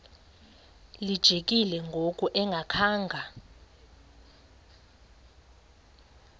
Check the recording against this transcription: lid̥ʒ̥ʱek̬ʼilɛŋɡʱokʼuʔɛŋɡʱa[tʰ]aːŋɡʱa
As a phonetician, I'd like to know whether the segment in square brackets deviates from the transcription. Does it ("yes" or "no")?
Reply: yes